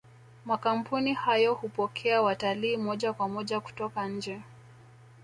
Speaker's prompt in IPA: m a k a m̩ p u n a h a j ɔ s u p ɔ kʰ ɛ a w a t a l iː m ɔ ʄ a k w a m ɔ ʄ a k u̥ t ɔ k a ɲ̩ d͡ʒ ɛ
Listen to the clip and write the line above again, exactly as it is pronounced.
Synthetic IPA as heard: m a k a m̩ p u n i h a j ɔ h u p ɔ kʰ ɛ a w a t a l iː m ɔ ʄ a k w a m ɔ ʄ a k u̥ t ɔ k a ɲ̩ d͡ʒ ɛ